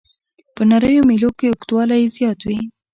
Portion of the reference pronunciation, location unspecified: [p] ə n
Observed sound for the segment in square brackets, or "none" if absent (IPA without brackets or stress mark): p